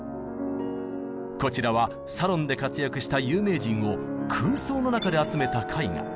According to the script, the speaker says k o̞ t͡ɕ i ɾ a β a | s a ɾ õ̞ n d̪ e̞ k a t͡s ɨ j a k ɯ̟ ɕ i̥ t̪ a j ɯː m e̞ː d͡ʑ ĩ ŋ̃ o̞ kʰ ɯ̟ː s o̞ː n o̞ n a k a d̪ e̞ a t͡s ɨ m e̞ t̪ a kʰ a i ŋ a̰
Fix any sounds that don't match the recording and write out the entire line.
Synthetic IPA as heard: k o̞ t͡ɕ i ɾ a β a | s a ɾ õ̞ n d̪ e̞ k a t͡s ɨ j a k ɯ̟ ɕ i̥ t̪ a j ɯː m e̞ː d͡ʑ ĩ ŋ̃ o̞ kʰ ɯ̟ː s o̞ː n o̞ n a k a d̪ e̞ a t͡s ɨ m e̞ t̪ a kʰ a i ŋ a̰